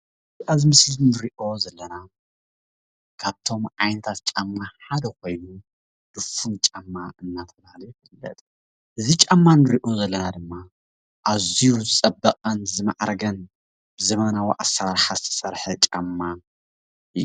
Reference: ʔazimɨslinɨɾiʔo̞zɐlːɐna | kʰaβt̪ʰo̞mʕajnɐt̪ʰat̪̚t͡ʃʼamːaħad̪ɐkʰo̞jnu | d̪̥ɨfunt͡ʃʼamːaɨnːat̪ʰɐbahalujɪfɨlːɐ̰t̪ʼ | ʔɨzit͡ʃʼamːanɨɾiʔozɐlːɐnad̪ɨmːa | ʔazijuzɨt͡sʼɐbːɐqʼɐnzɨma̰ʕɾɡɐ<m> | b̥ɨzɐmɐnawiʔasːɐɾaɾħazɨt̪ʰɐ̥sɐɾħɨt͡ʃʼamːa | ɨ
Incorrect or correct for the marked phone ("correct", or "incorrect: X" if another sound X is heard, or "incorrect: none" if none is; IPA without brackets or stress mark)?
incorrect: n